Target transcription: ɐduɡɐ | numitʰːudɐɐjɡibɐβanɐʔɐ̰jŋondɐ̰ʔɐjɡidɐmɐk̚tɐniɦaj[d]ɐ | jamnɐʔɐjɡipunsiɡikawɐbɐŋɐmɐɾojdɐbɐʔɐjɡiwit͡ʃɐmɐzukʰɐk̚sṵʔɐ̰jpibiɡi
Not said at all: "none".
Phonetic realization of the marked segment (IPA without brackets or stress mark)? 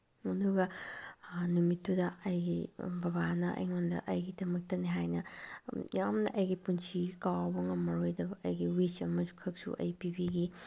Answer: n